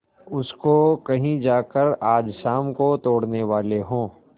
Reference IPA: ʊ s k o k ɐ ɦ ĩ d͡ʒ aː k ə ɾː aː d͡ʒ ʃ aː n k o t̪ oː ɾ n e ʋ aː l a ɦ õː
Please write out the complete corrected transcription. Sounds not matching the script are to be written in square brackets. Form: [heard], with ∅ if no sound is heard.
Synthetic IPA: ʊ s k o k ɐ ɦ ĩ d͡ʒ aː k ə [ɾ] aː d͡ʒ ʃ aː [m] k o t̪ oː [ɽ] n e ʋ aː l [e] ɦ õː